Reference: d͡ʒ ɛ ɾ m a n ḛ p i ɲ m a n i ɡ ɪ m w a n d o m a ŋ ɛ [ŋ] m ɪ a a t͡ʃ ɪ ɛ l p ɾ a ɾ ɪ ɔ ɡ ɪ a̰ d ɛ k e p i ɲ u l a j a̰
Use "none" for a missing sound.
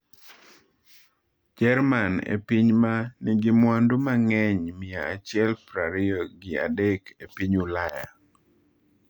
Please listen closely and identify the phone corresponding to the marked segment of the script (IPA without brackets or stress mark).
ɲ